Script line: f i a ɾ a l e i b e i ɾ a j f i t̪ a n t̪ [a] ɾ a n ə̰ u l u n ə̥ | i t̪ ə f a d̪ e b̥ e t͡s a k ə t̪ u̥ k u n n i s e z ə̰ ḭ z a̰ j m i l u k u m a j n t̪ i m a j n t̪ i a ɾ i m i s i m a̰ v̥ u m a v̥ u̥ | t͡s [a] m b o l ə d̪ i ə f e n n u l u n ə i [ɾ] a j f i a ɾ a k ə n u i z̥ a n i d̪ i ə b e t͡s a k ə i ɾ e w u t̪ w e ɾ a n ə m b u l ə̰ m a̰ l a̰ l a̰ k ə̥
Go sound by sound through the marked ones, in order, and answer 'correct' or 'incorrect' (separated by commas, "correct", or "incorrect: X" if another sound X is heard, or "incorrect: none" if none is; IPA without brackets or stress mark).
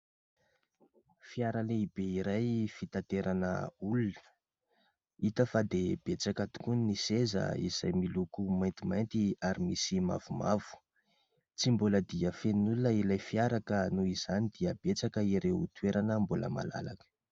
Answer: incorrect: e, incorrect: i, incorrect: l